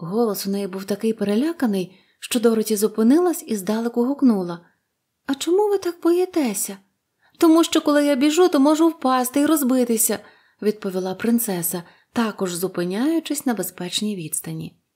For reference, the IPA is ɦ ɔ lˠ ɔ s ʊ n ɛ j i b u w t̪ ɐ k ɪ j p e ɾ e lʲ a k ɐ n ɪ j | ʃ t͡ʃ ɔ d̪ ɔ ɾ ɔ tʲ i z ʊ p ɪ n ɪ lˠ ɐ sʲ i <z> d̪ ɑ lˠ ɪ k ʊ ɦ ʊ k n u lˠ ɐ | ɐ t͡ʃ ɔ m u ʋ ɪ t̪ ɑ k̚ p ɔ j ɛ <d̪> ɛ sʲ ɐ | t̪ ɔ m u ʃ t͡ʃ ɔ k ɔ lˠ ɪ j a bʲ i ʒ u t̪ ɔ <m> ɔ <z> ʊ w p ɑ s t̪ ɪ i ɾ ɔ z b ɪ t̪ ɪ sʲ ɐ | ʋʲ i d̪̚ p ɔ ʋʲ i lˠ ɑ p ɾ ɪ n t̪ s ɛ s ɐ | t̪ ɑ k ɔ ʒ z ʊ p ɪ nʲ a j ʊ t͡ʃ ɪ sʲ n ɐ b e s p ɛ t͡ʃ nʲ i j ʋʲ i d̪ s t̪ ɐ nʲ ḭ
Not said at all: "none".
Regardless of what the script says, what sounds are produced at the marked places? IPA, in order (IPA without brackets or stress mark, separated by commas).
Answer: z, t̪, m, ʒ